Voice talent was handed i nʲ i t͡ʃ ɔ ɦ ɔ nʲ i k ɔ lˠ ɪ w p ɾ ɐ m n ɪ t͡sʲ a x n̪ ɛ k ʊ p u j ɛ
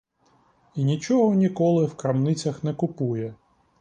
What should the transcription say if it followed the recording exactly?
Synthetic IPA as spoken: i nʲ i t͡ʃ ɔ ɦ ɔ nʲ i k ɔ lˠ ɪ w k ɾ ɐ m n ɪ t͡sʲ ɐ x n̪ ɛ k ʊ p u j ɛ